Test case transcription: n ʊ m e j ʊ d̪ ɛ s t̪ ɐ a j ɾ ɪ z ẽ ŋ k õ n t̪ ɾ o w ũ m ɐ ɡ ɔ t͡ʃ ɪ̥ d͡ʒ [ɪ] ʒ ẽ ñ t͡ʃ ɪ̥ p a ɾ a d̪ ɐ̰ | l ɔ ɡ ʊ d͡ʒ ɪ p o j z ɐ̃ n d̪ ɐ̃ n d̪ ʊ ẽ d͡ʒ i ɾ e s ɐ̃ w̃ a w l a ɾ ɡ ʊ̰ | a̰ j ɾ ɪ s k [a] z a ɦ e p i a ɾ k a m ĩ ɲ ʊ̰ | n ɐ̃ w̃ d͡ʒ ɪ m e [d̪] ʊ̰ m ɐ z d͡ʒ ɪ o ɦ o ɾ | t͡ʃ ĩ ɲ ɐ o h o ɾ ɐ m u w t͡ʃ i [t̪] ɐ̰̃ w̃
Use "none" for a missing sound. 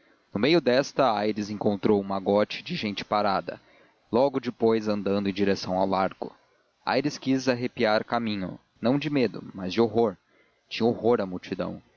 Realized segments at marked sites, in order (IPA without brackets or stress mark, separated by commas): ɪ, i, d̪, d̪